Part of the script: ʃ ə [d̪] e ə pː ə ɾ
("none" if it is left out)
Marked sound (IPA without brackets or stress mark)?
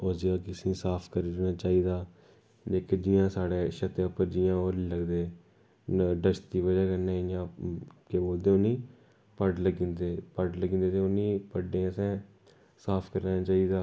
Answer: t̪